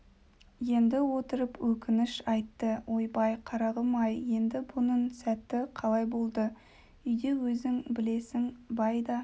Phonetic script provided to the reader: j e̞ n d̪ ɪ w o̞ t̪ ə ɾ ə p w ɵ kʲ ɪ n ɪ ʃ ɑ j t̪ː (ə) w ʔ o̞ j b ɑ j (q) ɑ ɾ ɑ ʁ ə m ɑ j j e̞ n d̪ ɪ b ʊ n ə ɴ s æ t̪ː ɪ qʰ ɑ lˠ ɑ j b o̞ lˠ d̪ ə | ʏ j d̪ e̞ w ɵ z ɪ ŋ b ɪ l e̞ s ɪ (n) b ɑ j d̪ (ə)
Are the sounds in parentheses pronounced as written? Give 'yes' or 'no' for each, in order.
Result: yes, no, no, no

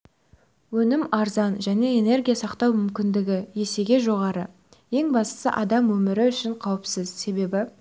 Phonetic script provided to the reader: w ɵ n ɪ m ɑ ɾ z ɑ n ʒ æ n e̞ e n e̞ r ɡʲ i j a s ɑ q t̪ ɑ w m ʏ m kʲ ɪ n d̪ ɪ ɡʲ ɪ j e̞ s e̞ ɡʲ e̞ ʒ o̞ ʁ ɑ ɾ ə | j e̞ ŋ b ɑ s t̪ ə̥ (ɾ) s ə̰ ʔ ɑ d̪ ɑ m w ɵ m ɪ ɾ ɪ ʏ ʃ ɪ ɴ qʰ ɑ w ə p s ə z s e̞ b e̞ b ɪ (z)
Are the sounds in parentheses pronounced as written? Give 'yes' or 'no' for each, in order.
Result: no, no

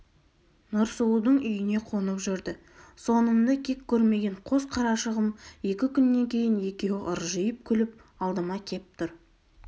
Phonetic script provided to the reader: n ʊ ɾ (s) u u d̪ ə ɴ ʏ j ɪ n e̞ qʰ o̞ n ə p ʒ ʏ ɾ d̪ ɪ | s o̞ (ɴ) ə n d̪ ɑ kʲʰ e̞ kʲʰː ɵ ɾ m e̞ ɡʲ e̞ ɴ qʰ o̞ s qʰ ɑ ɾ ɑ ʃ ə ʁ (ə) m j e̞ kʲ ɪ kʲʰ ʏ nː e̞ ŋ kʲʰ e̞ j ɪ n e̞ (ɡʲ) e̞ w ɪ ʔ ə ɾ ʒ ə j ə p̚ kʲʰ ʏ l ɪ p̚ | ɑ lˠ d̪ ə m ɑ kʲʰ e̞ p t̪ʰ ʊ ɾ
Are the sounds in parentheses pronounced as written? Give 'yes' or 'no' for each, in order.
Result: yes, no, yes, no

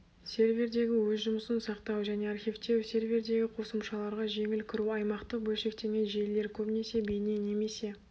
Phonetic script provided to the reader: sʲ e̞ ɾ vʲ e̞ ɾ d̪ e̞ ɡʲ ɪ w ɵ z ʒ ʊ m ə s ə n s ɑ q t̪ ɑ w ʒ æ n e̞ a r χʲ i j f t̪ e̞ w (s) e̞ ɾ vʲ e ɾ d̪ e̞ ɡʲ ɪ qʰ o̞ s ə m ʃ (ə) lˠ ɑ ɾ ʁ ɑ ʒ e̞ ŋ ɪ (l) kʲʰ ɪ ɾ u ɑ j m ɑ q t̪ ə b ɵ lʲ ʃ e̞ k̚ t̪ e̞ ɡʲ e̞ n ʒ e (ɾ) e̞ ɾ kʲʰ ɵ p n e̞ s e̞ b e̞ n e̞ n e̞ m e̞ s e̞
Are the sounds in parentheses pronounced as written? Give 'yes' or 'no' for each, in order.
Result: yes, no, yes, no

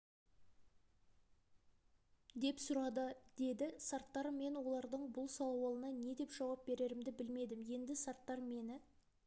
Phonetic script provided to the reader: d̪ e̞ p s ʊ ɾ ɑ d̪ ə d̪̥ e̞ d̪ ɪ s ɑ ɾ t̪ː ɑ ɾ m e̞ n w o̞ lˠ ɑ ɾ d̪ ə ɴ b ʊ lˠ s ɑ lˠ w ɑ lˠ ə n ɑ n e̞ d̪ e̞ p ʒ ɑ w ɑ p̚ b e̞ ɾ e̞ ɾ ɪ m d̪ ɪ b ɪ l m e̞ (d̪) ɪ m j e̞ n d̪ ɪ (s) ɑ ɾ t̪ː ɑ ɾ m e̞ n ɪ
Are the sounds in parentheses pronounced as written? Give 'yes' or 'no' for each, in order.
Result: yes, yes

